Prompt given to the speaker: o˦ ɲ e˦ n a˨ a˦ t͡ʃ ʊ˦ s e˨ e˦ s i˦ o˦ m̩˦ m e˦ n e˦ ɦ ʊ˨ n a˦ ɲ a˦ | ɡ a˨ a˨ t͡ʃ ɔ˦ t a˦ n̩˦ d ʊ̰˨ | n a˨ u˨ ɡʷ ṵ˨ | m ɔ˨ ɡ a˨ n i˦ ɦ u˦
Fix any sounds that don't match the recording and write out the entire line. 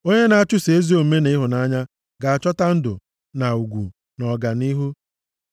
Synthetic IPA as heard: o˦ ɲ e˦ n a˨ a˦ t͡ʃ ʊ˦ s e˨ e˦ z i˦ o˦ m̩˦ m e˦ n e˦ ɦ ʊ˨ n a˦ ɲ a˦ | ɡ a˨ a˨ t͡ʃ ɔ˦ t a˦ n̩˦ d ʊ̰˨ | n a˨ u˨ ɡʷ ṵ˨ | n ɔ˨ ɡ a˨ n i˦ ɦ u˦